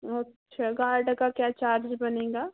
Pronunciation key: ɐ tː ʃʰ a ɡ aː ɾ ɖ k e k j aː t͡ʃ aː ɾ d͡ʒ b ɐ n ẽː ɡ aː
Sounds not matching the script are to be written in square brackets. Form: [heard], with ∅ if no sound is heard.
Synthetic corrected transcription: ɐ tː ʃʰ a ɡ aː ɾ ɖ k [a] k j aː t͡ʃ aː ɾ d͡ʒ b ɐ n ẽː ɡ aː